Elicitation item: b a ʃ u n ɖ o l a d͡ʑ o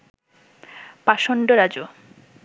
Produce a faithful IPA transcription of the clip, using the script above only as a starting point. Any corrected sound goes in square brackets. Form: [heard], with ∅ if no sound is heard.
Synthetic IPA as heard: [p] a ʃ [o] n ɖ o [ɾ] a d͡ʑ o